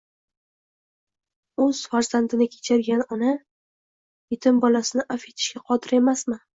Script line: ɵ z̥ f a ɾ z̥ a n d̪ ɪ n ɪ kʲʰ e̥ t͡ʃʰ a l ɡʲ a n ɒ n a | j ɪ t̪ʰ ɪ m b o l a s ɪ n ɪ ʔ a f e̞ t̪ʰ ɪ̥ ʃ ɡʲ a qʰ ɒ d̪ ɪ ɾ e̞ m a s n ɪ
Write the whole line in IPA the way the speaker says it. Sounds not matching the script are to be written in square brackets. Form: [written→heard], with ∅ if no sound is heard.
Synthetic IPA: ɵ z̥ f a ɾ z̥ a n d̪ ɪ n ɪ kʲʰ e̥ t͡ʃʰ a [l→ɾ] ɡʲ a n ɒ n a | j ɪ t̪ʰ ɪ m b [o→ɒ] l a s ɪ n ɪ ʔ a f e̞ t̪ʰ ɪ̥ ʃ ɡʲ a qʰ ɒ d̪ ɪ ɾ e̞ m a s [n→m] ɪ